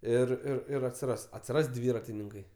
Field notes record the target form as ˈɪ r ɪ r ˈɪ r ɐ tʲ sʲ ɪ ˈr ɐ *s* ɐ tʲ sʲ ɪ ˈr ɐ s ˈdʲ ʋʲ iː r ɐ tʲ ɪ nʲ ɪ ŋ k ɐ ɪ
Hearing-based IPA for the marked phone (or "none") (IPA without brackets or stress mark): s